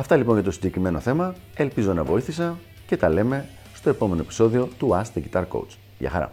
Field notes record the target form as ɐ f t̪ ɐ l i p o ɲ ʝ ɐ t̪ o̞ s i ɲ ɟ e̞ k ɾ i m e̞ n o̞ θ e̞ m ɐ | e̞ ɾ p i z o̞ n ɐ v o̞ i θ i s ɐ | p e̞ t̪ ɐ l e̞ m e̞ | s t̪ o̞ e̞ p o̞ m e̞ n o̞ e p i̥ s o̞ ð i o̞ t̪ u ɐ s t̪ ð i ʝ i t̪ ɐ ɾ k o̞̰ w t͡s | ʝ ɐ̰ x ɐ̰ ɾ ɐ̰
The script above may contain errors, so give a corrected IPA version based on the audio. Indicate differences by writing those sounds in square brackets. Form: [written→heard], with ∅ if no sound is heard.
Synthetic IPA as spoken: ɐ f t̪ ɐ l i p o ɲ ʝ ɐ t̪ o̞ s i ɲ ɟ e̞ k ɾ i m e̞ n o̞ θ e̞ m ɐ | e̞ [ɾ→l] p i z o̞ n ɐ v o̞ i θ i s ɐ | [p→c] e̞ t̪ ɐ l e̞ m e̞ | s t̪ o̞ e̞ p o̞ m e̞ n o̞ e p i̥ s o̞ ð i o̞ t̪ u ɐ s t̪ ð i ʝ i t̪ ɐ ɾ k o̞̰ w t͡s | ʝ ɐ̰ x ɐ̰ ɾ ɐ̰